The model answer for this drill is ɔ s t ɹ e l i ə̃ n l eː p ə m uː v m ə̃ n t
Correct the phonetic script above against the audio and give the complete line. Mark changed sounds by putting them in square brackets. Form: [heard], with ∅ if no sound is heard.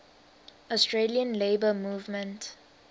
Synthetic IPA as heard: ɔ s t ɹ e l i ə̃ n l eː [b] ə m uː v m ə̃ n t